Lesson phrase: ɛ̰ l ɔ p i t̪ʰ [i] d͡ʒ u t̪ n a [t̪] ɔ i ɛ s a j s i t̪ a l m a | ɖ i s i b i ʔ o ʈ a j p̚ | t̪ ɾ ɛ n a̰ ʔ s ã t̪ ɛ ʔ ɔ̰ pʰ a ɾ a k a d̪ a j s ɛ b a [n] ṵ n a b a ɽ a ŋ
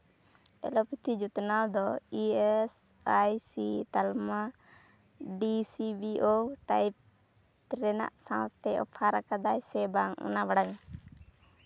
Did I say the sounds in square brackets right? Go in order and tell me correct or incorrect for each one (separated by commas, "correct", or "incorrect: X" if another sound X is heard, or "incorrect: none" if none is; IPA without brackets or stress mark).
correct, incorrect: d̪, incorrect: ŋ